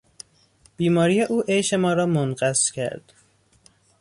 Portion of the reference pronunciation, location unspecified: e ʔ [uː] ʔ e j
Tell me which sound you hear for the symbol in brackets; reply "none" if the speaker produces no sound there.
uː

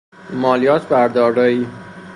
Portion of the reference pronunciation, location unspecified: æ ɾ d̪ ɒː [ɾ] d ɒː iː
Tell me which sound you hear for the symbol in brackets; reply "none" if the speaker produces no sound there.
ɾ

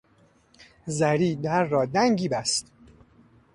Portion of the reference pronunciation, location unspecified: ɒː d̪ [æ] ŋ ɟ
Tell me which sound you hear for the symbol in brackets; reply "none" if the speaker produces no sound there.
æ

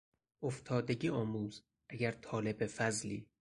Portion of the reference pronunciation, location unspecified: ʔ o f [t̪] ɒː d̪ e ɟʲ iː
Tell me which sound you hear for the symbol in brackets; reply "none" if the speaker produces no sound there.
t̪ʰ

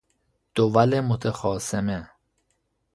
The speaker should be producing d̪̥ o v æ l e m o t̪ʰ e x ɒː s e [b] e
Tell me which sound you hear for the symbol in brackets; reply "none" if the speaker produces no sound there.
m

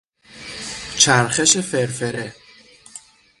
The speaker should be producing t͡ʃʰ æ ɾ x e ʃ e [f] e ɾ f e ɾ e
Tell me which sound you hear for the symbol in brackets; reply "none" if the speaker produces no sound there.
f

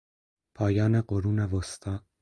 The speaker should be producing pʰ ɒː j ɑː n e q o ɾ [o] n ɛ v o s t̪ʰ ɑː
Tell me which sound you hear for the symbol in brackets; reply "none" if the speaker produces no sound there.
u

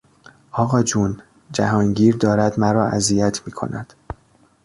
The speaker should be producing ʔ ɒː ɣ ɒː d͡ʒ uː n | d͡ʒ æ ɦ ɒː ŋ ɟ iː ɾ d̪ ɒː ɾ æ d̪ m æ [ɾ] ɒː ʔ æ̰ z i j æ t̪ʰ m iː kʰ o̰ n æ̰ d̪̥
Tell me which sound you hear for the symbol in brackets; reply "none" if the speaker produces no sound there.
ɾ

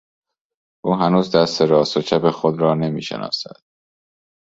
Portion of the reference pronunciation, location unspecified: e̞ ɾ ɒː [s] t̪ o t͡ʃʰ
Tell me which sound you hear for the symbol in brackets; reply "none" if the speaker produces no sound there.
s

